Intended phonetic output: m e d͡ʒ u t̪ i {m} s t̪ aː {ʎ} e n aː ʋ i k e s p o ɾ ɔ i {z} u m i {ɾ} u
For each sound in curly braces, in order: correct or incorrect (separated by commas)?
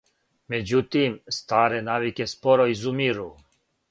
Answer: correct, incorrect, correct, correct